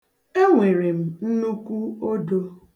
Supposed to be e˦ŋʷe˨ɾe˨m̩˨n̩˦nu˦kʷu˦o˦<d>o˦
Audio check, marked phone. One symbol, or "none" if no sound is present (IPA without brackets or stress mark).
d